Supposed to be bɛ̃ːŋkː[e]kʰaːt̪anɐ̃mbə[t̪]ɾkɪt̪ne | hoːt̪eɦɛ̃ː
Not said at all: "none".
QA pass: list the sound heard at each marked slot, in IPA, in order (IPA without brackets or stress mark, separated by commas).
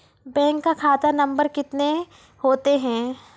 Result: a, none